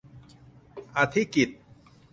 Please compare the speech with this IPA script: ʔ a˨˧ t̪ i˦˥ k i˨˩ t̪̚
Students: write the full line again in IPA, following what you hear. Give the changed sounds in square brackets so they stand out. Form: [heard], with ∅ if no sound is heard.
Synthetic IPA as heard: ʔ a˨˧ [t̪ʰ] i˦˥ k i˨˩ t̪̚